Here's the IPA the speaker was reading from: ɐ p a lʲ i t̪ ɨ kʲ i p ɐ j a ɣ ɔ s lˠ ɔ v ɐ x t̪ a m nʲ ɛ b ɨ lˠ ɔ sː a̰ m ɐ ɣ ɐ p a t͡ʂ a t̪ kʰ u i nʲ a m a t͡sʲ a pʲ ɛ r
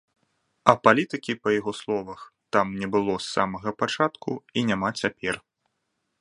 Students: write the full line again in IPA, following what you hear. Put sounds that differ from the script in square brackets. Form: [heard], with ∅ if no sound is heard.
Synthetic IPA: ɐ p a lʲ i t̪ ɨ kʲ i p ɐ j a ɣ ɔ s lˠ ɔ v ɐ x t̪ a m nʲ ɛ b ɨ lˠ ɔ sː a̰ m ɐ ɣ ɐ p a t͡ʂ a t̪ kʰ u i nʲ a m a t͡sʲ a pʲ ɛ r